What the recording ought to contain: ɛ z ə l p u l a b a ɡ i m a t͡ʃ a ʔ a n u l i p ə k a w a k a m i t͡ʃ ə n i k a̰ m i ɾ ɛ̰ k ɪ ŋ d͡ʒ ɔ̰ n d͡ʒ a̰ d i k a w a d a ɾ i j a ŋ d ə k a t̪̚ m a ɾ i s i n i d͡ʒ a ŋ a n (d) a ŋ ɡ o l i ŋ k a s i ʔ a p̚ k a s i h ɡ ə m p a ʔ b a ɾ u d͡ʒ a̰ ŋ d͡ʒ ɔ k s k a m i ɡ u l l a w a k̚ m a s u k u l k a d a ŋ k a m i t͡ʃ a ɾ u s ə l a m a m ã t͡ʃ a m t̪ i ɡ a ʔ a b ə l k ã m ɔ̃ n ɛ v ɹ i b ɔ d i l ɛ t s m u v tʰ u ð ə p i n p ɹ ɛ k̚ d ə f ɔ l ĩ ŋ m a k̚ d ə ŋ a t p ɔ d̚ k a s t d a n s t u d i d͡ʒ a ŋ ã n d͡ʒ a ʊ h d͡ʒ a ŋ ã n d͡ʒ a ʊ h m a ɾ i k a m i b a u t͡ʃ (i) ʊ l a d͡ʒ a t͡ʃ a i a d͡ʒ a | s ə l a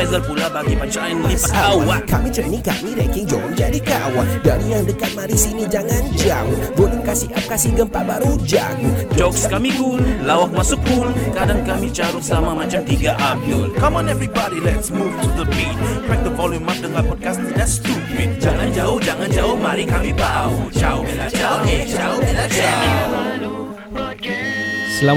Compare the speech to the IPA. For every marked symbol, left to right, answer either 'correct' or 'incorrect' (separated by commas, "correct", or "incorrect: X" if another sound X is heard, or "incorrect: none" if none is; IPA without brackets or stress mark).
incorrect: d͡ʒ, incorrect: a